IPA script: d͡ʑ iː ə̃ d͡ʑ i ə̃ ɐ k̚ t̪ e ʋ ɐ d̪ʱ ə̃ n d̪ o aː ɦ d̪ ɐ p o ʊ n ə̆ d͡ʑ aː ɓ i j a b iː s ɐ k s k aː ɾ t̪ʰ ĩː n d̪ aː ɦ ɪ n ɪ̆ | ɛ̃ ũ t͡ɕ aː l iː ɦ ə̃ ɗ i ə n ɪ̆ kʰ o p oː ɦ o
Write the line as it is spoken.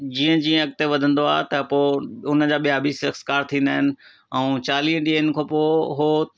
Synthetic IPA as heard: d͡ʑ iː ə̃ d͡ʑ i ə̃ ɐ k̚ t̪ e ʋ ɐ d̪ʱ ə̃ n d̪ o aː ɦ t̪ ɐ p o ʊ n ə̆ d͡ʑ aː ɓ i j a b iː s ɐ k s k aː ɾ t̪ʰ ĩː n d̪ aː ɦ ɪ n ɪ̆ | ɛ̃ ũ t͡ɕ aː l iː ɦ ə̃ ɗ i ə n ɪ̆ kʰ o p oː ɦ o